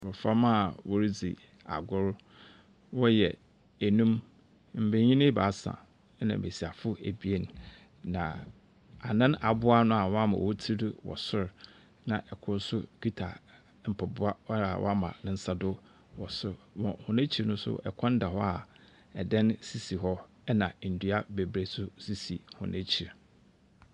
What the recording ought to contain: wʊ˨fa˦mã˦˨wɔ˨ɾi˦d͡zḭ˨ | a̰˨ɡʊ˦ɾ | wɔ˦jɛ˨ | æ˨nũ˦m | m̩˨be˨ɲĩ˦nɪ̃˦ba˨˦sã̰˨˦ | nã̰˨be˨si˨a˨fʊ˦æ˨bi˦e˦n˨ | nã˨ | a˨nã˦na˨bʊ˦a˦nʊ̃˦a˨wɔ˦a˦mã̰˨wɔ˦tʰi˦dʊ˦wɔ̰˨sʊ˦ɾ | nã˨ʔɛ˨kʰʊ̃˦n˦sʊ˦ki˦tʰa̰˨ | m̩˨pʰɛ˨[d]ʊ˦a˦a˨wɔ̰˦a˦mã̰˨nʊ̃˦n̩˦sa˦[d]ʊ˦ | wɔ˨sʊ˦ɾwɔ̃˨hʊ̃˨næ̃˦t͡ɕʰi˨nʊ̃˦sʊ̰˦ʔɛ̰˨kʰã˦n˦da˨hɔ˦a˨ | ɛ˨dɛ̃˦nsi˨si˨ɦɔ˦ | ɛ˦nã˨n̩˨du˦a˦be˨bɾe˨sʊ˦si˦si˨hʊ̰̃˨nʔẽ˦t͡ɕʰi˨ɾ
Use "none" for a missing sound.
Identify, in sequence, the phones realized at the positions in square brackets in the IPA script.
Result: b, d

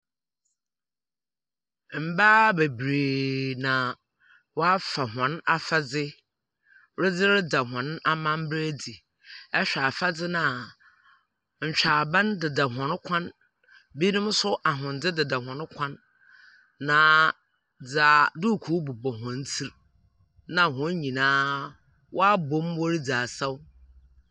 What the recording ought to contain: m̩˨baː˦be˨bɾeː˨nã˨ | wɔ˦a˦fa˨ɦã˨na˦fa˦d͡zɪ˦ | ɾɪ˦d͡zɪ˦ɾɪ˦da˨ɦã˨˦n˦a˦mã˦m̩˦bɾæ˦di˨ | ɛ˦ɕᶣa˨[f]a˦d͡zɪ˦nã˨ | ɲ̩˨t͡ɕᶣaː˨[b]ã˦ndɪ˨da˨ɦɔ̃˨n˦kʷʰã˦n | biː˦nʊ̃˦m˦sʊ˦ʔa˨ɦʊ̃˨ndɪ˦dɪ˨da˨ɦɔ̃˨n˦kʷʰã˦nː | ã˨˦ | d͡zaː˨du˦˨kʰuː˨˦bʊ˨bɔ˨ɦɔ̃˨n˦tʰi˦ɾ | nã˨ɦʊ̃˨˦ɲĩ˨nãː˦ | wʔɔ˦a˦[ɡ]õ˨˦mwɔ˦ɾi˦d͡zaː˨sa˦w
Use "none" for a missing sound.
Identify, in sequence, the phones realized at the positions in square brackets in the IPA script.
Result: f, b, b

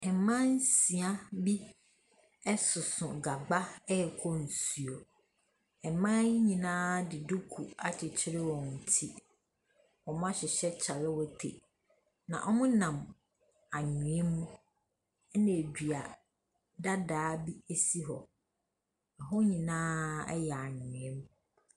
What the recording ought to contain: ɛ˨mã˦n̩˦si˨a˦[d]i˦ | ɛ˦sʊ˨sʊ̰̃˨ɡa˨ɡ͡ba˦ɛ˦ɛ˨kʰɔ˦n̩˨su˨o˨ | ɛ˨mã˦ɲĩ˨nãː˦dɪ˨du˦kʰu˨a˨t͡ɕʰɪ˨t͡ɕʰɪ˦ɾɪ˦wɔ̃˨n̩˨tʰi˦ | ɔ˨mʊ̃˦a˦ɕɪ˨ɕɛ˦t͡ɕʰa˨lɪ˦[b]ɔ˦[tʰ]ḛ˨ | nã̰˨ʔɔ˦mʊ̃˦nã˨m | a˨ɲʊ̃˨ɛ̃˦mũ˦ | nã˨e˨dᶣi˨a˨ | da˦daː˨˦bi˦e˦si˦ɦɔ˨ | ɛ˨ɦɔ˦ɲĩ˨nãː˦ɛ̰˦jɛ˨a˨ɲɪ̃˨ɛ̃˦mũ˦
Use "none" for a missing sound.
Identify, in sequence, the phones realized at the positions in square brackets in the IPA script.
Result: b, w, tʰ

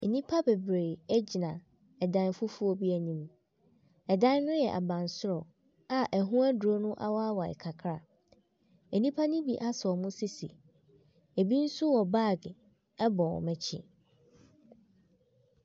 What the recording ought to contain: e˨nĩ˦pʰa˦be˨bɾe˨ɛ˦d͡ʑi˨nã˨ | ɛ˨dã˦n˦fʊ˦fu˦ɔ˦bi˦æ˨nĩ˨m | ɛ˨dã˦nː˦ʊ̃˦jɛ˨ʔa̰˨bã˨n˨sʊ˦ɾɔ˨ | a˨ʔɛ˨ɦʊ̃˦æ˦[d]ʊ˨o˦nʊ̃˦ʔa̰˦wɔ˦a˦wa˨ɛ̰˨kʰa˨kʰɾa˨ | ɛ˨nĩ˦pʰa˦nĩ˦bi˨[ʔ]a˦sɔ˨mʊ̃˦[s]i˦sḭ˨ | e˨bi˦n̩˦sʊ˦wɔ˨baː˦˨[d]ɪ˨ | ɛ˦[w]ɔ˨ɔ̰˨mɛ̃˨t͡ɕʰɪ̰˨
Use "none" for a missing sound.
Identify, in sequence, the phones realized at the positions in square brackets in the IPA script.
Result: d, ʔ, s, ɡ, b

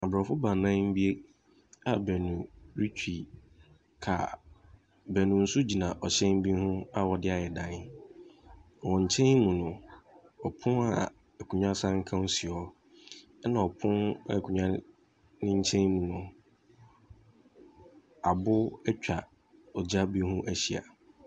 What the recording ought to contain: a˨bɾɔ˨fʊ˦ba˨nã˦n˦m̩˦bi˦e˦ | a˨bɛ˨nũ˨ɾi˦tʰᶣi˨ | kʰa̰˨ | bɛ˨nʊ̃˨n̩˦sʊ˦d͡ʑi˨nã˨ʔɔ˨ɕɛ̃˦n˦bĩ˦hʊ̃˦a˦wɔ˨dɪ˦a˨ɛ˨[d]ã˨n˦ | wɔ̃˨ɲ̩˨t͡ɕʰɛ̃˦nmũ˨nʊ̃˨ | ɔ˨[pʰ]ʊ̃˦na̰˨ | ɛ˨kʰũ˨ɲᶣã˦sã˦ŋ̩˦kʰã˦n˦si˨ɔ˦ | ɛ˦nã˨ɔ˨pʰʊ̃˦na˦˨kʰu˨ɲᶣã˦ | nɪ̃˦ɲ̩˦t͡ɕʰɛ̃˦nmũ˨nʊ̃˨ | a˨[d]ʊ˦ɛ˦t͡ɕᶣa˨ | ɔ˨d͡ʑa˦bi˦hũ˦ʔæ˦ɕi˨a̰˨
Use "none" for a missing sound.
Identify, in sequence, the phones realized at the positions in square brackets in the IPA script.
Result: d, pʰ, b

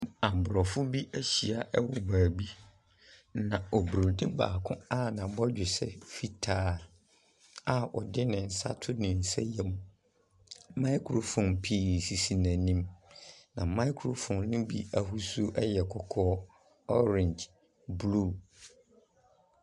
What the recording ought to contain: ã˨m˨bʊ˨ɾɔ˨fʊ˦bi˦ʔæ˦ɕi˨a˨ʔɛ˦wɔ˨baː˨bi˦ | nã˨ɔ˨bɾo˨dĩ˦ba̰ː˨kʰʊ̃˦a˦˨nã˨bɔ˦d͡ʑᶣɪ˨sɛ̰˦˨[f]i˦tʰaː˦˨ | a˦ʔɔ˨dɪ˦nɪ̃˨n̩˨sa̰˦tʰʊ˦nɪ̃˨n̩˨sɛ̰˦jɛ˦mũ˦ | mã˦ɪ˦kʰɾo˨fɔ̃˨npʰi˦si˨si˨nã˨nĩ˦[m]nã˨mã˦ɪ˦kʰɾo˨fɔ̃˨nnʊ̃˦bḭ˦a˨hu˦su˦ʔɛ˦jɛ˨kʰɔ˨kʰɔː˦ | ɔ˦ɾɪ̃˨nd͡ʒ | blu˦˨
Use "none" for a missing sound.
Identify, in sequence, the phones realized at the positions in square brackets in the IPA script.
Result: f, m

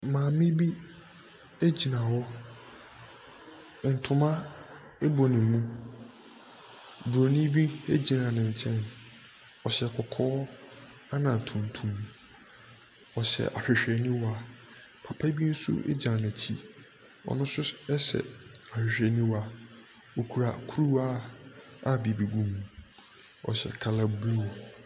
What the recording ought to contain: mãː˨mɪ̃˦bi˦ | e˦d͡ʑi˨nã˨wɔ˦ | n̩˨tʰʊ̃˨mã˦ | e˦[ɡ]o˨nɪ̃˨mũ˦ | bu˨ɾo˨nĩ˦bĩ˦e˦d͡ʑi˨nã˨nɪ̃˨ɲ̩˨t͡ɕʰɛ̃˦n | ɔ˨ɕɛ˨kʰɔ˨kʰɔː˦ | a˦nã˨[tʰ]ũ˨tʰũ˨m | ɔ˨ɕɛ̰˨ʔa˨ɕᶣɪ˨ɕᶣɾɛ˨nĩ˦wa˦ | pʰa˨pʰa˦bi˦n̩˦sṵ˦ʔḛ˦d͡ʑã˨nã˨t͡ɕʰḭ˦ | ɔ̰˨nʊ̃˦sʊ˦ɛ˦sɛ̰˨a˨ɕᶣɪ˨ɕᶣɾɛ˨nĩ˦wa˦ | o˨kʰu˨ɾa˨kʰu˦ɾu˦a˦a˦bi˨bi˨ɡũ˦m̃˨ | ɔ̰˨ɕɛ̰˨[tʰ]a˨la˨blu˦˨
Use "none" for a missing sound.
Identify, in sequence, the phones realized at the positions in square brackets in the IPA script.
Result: b, tʰ, kʰ

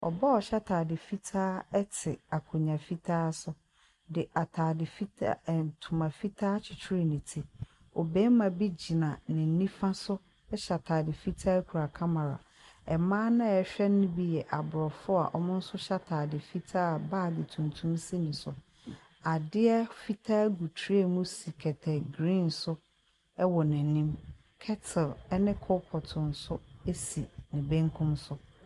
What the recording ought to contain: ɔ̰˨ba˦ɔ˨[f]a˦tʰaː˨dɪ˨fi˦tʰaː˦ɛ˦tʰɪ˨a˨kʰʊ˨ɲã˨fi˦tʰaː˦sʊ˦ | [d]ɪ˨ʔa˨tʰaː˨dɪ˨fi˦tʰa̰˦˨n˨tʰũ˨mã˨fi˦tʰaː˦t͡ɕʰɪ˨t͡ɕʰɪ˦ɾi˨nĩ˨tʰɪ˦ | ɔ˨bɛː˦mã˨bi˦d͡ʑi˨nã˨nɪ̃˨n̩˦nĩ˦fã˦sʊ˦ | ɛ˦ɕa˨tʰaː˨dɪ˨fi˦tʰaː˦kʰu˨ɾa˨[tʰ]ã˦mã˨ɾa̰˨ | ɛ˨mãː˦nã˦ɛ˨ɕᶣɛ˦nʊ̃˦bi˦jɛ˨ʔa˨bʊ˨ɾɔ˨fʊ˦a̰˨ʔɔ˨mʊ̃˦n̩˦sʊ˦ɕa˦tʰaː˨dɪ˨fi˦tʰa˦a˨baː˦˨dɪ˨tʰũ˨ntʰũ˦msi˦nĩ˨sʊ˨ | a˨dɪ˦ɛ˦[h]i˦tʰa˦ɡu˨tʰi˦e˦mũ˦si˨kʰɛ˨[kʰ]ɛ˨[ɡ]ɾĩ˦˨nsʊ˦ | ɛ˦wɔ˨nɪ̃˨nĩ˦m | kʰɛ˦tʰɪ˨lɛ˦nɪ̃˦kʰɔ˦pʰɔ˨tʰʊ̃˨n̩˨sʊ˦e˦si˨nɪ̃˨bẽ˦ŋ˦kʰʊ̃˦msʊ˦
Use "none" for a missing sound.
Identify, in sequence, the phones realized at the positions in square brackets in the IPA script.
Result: ɕ, d, kʰ, f, tʰ, ɡ

